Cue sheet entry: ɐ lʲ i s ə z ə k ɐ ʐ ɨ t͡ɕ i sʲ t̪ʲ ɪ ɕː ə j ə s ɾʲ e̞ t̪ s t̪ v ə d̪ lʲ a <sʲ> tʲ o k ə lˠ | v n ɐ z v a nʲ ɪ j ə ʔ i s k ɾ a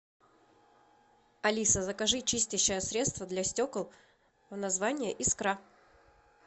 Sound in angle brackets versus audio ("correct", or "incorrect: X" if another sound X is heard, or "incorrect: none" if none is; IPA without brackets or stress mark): correct